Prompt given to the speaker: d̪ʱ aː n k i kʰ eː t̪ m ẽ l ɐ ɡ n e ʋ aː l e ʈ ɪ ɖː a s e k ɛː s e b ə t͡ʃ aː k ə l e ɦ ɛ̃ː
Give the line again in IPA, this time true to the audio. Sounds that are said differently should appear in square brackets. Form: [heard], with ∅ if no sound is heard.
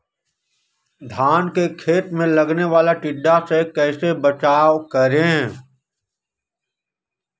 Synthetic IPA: d̪ʱ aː n k [e] kʰ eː t̪ m ẽ l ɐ ɡ n e ʋ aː l [a] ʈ ɪ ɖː a s e k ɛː s e b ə t͡ʃ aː k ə [ɾ] e ɦ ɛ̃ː